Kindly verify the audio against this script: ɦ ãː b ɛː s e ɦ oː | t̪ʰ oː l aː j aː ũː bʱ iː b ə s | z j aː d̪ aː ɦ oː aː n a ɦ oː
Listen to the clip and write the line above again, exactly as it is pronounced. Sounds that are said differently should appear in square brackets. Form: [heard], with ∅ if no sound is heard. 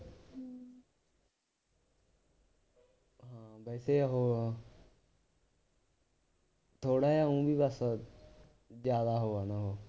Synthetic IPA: ɦ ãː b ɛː s e ɦ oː | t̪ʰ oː [ɽ] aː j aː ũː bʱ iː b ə s | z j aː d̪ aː ɦ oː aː n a ɦ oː

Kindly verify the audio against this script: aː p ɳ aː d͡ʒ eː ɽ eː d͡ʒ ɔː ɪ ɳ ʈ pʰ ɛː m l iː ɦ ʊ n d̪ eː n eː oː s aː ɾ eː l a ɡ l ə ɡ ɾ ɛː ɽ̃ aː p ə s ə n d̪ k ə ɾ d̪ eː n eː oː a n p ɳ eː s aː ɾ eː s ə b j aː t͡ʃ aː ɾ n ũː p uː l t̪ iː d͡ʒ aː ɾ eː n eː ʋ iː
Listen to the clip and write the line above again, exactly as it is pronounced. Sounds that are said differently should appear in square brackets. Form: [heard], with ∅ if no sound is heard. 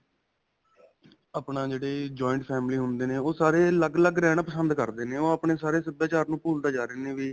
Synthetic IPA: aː p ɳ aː d͡ʒ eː ɽ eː d͡ʒ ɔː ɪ ɳ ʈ pʰ ɛː m l iː ɦ ʊ n d̪ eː n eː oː s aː ɾ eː l [ə] ɡ l ə ɡ ɾ ɛː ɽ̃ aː p ə s ə n d̪ k ə ɾ d̪ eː n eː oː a [∅] p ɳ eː s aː ɾ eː s ə b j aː t͡ʃ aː ɾ n ũː p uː l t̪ [aː] d͡ʒ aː ɾ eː n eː ʋ iː

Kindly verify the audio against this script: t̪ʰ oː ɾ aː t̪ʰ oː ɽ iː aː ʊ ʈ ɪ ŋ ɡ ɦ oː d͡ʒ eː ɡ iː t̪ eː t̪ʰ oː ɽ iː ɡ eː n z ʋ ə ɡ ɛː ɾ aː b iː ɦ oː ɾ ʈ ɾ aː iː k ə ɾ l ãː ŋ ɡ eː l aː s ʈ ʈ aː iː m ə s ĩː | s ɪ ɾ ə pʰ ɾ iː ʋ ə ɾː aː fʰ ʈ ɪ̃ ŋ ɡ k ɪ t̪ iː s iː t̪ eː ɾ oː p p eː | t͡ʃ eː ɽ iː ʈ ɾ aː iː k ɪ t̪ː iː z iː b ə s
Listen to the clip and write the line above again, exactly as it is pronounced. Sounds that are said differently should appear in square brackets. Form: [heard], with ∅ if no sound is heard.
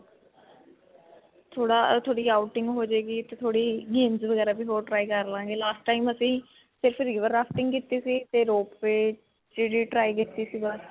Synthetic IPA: t̪ʰ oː [ɽ] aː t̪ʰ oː ɽ iː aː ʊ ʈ ɪ ŋ ɡ ɦ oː d͡ʒ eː ɡ iː t̪ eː t̪ʰ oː ɽ iː ɡ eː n z ʋ ə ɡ ɛː ɾ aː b iː ɦ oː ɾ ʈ ɾ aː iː k ə ɾ l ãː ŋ ɡ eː l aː s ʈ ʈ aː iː m ə s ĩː | s ɪ ɾ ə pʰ ɾ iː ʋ ə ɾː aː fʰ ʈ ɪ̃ ŋ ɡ k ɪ t̪ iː s iː t̪ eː ɾ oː p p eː | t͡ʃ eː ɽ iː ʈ ɾ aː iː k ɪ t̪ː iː [s] iː b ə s

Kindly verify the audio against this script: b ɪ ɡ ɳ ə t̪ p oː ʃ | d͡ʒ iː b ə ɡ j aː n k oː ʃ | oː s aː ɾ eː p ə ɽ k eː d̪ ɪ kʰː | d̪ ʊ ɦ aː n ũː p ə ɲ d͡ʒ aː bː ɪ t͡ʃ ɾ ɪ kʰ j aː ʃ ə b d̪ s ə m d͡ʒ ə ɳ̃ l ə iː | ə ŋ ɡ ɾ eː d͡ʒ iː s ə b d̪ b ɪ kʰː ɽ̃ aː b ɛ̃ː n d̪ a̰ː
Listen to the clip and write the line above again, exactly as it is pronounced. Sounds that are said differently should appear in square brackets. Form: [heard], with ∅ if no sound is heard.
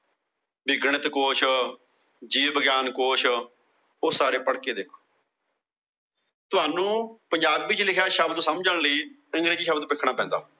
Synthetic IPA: b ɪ ɡ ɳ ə t̪ [k] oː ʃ | d͡ʒ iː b ə ɡ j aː n k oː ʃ | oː s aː ɾ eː p ə ɽ k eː d̪ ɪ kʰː | [t̪] ʊ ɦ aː n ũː p ə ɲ d͡ʒ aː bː ɪ t͡ʃ [l] ɪ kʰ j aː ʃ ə b d̪ s ə m d͡ʒ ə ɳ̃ l ə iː | ə ŋ ɡ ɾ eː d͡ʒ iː [ʃ] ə b d̪ [p] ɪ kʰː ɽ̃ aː [p] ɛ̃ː n d̪ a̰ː

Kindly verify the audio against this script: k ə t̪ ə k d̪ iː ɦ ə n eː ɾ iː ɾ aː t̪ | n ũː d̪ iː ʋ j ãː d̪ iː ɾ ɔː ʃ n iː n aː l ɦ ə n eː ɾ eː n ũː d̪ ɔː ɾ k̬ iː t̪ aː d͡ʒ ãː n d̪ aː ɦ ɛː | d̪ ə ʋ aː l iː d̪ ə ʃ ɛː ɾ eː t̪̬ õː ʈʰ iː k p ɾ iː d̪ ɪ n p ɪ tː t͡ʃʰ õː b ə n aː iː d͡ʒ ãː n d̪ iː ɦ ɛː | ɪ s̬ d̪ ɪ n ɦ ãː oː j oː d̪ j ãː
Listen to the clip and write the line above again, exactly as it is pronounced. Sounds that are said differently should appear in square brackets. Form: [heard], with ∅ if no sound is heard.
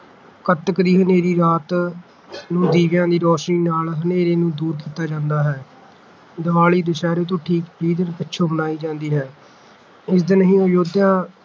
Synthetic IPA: k ə t̪ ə k d̪ iː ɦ ə n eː ɾ iː ɾ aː t̪ | n ũː d̪ iː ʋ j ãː d̪ iː ɾ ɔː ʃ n iː n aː l ɦ ə n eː ɾ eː n ũː d̪ [uː] ɾ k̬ iː t̪ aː d͡ʒ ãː n d̪ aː ɦ ɛː | d̪ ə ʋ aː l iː d̪ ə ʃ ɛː ɾ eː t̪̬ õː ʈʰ iː k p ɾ iː d̪ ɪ n p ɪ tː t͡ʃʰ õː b ə n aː iː d͡ʒ ãː n d̪ iː ɦ ɛː | ɪ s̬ d̪ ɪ n ɦ [ĩː] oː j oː d̪ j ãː

